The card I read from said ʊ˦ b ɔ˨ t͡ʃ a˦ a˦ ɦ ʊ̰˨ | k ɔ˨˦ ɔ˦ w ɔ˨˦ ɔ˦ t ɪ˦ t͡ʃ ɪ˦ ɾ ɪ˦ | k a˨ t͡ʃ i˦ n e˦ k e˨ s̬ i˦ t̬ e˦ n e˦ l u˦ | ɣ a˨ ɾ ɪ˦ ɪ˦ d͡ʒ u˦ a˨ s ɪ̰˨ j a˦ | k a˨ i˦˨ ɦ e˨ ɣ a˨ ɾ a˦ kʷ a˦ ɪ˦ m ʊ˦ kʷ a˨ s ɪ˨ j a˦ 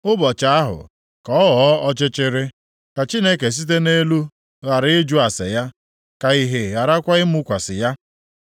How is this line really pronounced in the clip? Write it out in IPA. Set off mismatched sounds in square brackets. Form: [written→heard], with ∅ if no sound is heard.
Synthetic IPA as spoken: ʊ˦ b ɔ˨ t͡ʃ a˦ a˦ ɦ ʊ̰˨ | k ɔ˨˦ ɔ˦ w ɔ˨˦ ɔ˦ [t→t͡ʃ] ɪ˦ t͡ʃ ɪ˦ ɾ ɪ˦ | k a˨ t͡ʃ i˦ n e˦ k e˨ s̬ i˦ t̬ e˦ n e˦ l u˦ | ɣ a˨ ɾ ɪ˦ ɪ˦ d͡ʒ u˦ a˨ s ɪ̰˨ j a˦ | k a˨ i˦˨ ɦ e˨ ɣ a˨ ɾ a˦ kʷ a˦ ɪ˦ m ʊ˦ kʷ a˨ s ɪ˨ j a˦